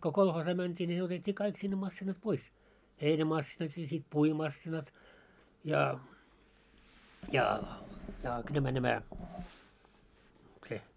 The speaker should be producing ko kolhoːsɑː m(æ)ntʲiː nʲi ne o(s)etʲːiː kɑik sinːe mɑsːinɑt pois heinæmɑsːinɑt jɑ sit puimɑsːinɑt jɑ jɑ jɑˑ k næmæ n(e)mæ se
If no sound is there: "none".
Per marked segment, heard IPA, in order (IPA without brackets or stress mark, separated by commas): æ, t, æ